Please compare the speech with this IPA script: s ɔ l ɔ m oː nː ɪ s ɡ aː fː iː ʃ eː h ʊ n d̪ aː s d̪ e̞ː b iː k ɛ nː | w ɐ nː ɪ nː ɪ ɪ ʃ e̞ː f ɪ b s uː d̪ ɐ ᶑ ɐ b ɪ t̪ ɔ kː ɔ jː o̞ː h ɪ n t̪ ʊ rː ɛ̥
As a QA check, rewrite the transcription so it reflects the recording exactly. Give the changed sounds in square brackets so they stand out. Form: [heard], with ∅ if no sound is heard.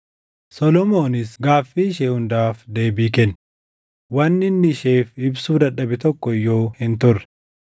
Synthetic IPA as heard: s ɔ l ɔ m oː [n] ɪ s ɡ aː fː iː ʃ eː h ʊ n d̪ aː [f] d̪ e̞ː b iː k ɛ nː | w ɐ nː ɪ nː ɪ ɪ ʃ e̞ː f ɪ b s uː d̪ ɐ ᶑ ɐ b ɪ t̪ ɔ kː ɔ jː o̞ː h ɪ n t̪ ʊ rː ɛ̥